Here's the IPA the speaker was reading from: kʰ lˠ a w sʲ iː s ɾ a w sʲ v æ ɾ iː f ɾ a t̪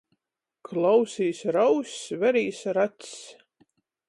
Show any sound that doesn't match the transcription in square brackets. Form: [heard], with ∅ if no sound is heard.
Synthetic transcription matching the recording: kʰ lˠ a w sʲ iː s ɾ a w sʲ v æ ɾ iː [s] ɾ a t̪